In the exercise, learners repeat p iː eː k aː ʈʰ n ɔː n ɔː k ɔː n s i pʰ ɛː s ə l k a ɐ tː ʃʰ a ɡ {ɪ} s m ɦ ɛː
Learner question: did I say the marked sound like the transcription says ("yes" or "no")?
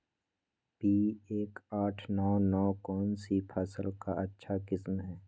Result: yes